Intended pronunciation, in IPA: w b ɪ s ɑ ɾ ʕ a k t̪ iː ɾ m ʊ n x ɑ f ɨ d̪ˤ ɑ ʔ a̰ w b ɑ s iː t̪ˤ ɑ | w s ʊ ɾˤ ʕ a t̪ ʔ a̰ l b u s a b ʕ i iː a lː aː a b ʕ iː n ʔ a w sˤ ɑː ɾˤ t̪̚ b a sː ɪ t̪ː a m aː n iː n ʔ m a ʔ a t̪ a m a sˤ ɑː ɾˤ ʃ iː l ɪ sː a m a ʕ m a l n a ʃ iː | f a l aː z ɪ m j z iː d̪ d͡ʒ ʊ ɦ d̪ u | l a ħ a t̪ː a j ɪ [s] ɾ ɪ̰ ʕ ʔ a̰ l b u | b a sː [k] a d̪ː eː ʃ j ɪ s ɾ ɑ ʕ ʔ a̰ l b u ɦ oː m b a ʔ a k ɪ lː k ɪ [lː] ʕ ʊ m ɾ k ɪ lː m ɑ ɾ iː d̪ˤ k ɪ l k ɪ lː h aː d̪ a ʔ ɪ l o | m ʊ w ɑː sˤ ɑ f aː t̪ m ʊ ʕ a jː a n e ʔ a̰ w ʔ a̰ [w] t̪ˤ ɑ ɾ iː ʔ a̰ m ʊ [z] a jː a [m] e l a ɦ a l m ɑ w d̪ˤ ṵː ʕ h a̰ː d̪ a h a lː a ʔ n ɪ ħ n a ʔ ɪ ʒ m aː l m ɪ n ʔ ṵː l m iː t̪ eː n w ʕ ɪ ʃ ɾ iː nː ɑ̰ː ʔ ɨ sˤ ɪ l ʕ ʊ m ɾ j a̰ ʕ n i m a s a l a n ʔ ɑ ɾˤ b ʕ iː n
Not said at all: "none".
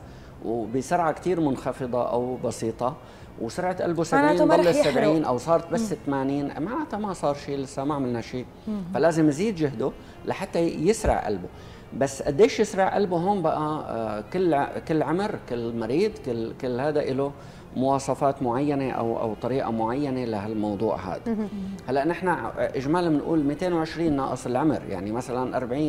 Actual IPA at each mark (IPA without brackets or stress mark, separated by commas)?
s, ʔ, lː, w, ʕ, n